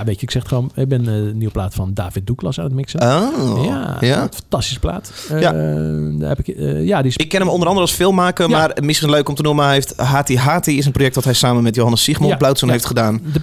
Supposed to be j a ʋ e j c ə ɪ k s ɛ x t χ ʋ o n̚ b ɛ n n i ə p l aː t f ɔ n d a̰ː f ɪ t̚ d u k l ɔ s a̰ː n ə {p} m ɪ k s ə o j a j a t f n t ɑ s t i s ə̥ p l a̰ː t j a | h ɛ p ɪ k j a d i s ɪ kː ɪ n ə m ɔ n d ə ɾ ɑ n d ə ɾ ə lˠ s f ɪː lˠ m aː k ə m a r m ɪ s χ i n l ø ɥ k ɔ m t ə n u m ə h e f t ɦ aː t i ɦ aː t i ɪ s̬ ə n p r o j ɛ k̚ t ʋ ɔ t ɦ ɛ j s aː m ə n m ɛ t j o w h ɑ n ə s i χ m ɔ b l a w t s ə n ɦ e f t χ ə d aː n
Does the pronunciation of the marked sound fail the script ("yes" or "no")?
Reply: yes